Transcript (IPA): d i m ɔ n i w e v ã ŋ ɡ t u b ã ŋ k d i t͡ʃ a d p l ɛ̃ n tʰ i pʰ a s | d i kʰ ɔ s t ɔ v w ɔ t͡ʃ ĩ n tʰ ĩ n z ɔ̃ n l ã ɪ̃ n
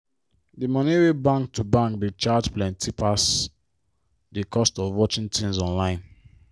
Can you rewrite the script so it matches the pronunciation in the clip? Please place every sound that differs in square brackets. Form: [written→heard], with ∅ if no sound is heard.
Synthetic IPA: d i m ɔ n i w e [v→b] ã ŋ [ɡ→k] t u b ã ŋ k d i t͡ʃ a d p l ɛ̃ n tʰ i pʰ a s | d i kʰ ɔ s t ɔ v w ɔ t͡ʃ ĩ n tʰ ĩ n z ɔ̃ n l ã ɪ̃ n